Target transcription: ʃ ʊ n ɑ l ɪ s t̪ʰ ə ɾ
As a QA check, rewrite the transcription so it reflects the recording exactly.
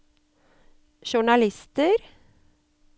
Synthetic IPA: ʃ ʊ ɳ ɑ l ɪ s t̪ ə ɾ